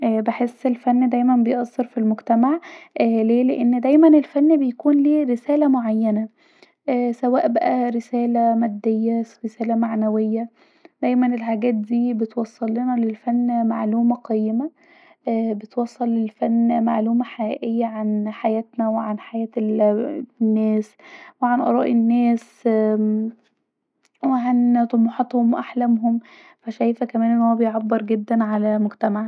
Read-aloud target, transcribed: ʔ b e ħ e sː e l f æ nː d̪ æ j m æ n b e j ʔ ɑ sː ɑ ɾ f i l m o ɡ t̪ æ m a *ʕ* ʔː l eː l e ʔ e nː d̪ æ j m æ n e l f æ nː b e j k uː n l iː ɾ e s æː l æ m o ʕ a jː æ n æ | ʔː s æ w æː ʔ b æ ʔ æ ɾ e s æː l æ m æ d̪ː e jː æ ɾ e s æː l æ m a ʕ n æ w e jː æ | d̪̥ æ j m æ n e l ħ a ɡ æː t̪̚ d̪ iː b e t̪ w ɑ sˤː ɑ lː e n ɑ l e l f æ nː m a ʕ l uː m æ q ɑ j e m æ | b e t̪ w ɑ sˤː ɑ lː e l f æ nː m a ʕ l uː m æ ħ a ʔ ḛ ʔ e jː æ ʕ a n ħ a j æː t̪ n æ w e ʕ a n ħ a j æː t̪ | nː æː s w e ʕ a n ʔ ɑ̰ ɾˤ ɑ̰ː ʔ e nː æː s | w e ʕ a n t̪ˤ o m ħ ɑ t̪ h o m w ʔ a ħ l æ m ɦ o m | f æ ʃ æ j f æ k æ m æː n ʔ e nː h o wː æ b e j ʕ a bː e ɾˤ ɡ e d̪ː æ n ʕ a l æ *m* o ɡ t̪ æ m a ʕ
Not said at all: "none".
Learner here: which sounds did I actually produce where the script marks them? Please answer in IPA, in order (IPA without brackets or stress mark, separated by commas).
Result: ʕ, m